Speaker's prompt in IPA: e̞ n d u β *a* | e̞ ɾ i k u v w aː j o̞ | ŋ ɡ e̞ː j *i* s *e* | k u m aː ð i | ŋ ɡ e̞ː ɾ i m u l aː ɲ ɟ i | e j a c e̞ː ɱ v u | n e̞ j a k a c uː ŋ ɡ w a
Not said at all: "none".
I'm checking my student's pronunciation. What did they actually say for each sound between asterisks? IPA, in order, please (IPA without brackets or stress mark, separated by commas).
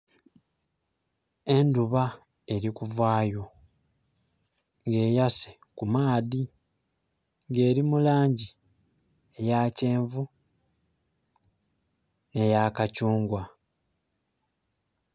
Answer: a, a, e